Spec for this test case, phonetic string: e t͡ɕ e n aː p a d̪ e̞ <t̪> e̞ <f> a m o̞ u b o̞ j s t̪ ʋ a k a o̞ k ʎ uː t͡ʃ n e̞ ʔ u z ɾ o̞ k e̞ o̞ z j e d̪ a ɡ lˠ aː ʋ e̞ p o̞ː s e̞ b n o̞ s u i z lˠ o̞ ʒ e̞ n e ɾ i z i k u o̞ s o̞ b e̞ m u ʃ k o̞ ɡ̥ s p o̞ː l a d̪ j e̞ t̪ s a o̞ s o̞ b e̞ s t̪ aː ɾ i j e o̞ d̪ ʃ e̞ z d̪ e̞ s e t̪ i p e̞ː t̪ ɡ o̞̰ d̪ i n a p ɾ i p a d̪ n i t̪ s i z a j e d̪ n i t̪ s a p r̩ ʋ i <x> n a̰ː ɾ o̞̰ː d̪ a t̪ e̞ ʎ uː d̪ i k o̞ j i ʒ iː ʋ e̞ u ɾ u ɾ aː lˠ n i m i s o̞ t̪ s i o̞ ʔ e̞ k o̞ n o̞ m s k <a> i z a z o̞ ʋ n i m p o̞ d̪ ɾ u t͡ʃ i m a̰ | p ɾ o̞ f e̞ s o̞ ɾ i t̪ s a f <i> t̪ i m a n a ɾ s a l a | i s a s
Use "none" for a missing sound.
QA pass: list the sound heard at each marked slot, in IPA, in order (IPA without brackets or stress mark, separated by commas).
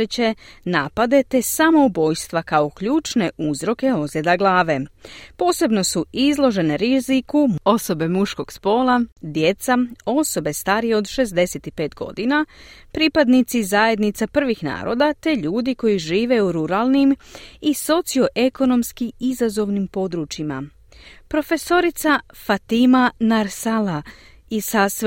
t̪, s, x, i, a